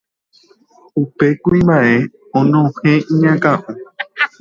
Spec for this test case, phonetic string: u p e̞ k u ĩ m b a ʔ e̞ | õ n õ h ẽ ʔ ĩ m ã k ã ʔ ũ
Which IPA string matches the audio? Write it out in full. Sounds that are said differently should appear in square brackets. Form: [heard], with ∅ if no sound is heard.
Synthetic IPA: u p e̞ k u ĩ m b a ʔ e̞ | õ n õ h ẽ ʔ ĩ [ɲ] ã k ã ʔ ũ

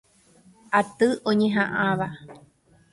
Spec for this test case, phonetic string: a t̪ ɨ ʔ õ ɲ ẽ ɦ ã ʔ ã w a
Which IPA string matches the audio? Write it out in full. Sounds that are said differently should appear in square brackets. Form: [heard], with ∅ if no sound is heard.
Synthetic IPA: a t̪ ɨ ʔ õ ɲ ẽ ɦ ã ʔ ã [ʋ] a

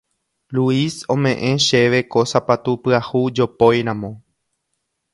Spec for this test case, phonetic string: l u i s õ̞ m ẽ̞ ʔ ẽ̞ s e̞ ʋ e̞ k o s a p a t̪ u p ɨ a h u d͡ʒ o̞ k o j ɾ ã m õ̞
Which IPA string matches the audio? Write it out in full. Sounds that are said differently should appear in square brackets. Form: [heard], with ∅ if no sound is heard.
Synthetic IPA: l u i s õ̞ m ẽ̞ ʔ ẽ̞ [ʃ] e̞ ʋ e̞ k o s a p a t̪ u p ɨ a h u d͡ʒ o̞ [p] o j ɾ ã m õ̞

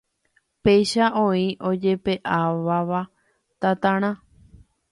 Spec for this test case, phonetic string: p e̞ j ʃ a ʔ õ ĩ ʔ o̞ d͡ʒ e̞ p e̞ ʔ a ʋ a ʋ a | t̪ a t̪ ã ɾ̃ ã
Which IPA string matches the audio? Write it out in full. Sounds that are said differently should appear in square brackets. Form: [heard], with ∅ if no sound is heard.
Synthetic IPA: p e̞ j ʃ a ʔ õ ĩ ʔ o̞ d͡ʒ e̞ p e̞ ʔ a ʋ a ʋ a | t̪ a t̪ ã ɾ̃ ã

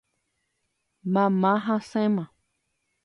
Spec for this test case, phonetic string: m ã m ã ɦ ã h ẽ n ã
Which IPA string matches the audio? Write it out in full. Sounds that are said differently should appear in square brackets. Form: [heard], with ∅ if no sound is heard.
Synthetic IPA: m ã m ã ɦ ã [s] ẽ [m] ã

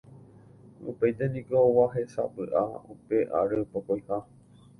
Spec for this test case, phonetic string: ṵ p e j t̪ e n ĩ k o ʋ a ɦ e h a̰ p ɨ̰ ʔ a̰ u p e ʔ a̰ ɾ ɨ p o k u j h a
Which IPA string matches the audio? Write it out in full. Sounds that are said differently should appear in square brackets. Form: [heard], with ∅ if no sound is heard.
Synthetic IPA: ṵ p e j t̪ e n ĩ k o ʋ a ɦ e [s] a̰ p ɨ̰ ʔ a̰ u p e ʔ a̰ ɾ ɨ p o k [o] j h a

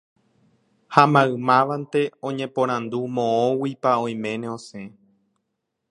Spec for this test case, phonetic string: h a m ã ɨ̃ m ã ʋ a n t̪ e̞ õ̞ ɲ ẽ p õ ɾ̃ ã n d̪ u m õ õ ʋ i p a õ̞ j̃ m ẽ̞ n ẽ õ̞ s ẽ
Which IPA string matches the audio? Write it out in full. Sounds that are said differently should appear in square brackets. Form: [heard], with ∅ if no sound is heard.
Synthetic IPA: h a m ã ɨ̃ m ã ʋ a n t̪ e̞ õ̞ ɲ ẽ p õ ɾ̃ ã n d̪ u m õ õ [w] i p a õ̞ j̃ m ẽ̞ n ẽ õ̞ s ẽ

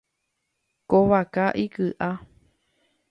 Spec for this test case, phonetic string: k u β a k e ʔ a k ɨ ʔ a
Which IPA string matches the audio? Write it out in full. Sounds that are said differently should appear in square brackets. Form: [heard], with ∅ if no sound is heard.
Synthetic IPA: k [o] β a k [a] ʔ [i] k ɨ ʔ a

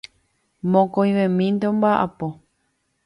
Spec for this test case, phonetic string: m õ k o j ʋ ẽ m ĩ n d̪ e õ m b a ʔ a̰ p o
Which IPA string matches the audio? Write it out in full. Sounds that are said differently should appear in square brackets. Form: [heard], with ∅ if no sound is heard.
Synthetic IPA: m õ k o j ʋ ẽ m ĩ n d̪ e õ m b a ʔ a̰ p o

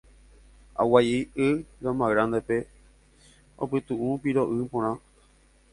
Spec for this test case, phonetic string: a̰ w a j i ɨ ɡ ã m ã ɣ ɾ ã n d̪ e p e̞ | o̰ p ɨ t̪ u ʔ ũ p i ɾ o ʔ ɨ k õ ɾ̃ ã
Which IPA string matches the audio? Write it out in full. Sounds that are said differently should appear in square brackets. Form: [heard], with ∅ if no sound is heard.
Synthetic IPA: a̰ w a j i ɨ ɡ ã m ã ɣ ɾ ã n d̪ e p e̞ | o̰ p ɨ t̪ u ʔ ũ p i ɾ o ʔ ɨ [p] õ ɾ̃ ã

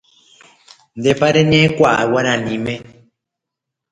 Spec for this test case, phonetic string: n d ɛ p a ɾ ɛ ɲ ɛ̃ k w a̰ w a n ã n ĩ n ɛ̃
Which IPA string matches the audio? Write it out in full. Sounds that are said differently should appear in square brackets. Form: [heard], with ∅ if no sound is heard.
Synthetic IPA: n d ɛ p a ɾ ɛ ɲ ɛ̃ k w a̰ w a n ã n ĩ [m] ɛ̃

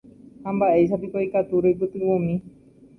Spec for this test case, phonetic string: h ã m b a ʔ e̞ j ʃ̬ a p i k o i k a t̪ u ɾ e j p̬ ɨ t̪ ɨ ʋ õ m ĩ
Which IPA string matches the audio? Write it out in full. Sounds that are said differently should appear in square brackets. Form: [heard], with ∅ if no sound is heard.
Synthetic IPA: h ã m b a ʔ e̞ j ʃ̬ a p i k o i k a t̪ u ɾ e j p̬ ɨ t̪ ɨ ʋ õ m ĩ

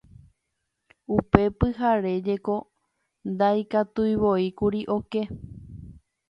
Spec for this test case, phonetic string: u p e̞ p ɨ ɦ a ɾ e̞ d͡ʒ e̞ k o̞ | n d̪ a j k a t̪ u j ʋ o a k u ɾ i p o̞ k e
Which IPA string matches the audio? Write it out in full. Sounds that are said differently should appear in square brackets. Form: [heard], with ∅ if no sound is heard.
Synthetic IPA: u p e̞ p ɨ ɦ a ɾ e̞ d͡ʒ e̞ k o̞ | n d̪ a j k a t̪ u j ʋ o [i] k u ɾ i [ʔ] o̞ k e

